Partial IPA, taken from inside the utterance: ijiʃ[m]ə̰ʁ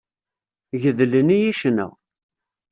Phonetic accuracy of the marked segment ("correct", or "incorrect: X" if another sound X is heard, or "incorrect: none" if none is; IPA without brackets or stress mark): incorrect: n